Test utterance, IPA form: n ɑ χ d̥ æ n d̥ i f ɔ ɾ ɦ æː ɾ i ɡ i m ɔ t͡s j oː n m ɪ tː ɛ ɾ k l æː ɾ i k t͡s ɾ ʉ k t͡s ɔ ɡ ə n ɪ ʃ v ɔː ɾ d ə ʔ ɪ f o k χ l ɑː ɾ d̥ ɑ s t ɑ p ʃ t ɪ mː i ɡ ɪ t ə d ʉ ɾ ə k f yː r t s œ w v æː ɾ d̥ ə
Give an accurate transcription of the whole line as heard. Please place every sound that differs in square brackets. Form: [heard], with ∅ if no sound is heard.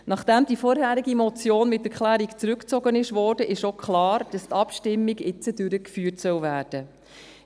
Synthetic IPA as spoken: n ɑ χ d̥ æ [m] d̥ i f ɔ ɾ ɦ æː ɾ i ɡ i m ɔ t͡s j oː n m ɪ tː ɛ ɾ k l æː ɾ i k t͡s ɾ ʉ k t͡s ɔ ɡ ə n ɪ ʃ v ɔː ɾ d ə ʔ ɪ [ʃ] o k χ l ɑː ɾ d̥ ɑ s t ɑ p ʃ t ɪ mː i ɡ ɪ [t͡s] ə d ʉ ɾ ə k f yː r t s œ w v æː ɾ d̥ ə